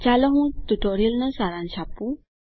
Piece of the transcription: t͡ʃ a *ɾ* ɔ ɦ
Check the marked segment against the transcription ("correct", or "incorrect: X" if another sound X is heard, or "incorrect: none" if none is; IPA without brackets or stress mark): incorrect: l